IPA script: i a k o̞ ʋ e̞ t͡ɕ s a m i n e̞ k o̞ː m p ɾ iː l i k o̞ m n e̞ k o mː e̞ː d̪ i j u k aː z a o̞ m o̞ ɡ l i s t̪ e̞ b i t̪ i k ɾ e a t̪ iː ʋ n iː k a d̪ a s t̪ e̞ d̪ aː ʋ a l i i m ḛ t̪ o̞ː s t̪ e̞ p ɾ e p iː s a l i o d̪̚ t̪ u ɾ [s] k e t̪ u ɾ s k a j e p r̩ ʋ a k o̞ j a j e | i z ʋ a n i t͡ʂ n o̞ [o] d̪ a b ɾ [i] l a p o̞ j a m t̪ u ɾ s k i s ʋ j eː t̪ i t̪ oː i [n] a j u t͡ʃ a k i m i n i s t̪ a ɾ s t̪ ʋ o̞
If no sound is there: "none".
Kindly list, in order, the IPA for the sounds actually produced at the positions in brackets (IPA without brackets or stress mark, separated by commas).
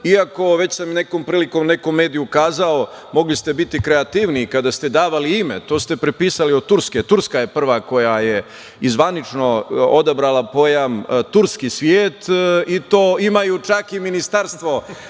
s, o, a, m